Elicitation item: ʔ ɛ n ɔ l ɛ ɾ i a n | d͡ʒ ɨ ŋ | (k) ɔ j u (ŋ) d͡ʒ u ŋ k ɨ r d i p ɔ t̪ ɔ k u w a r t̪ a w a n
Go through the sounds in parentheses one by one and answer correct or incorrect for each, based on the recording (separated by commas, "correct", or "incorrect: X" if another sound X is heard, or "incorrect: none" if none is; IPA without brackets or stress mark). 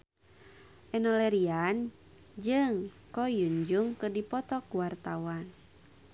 correct, incorrect: ɲ